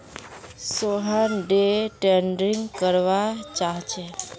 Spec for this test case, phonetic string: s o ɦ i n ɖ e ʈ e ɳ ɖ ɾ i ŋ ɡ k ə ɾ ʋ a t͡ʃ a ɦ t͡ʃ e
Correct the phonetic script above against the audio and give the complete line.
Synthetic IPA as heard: s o ɦ a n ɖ e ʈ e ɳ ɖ ɾ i ŋ ɡ k ə ɾ ʋ a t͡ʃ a ɦ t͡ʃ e